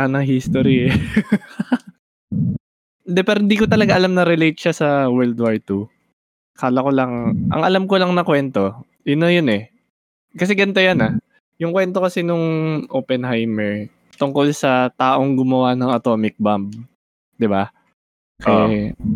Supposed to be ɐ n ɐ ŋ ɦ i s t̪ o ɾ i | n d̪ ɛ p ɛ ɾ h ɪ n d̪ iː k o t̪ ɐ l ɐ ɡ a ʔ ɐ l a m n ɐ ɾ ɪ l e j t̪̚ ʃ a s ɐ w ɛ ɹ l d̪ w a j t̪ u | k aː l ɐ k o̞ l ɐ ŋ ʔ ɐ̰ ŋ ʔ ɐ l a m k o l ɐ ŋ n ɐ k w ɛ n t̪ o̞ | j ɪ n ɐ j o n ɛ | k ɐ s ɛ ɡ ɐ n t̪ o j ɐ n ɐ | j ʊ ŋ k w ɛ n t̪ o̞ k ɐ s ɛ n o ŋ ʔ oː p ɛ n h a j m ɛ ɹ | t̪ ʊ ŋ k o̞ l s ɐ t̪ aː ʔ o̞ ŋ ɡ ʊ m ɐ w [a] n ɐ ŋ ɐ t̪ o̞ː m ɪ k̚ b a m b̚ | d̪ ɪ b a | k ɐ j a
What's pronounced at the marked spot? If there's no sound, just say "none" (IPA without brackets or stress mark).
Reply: a